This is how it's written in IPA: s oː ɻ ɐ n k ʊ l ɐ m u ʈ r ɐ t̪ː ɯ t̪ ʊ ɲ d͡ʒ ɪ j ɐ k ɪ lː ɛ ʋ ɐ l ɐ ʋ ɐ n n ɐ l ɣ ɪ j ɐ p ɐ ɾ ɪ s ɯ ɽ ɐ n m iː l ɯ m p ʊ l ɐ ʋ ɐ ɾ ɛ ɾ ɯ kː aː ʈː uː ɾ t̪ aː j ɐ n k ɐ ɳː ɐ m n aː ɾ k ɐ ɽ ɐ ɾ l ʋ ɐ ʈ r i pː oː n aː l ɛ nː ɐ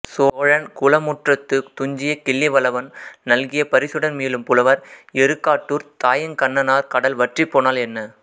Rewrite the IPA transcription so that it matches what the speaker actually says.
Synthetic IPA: s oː ɻ ɐ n k ʊ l ɐ m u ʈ r ɐ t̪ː ɯ t̪ ʊ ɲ d͡ʒ ɪ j ɐ k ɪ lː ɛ ʋ ɐ l ɐ ʋ ɐ n n ɐ l ɣ ɪ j ɐ p ɐ ɾ ɪ s ɯ ɽ ɐ n m iː l ɯ m p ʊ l ɐ ʋ ɐ ɾ ɛ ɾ ɯ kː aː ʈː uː ɾ t̪ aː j ɐ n k ɐ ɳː ɐ n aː ɾ k ɐ ɽ ɐ l ʋ ɐ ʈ r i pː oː n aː l ɛ nː ɐ